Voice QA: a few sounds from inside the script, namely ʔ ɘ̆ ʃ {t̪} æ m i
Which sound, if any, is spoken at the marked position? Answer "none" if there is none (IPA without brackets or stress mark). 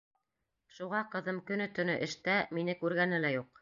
t̪